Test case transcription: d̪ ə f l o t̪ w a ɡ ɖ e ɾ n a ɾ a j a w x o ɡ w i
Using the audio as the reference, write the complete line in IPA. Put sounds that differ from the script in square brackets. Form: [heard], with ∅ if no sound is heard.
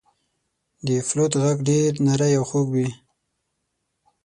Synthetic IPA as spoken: d̪ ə f l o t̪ [ɣ] a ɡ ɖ e ɾ n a ɾ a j a w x o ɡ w i